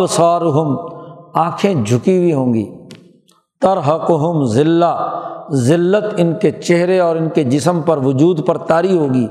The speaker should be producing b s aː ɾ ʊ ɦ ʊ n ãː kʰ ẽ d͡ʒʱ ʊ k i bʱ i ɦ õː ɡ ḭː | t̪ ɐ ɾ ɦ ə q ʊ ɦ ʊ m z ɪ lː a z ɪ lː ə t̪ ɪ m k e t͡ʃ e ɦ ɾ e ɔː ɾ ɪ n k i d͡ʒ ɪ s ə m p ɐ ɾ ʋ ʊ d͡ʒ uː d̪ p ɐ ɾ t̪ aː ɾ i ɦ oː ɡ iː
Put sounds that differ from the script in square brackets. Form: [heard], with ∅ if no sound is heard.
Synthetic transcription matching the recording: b s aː ɾ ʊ ɦ ʊ [m] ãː kʰ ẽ d͡ʒʱ ʊ k i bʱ i ɦ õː ɡ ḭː | t̪ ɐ ɾ ɦ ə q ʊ ɦ ʊ m z ɪ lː a z ɪ lː ə t̪ ɪ [n] k e t͡ʃ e ɦ ɾ e ɔː ɾ ɪ n k [e] d͡ʒ ɪ s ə m p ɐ ɾ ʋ ʊ d͡ʒ uː d̪ p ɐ ɾ t̪ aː ɾ i ɦ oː ɡ iː